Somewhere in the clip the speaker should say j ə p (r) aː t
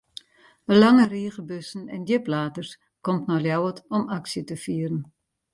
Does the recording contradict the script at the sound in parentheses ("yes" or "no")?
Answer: yes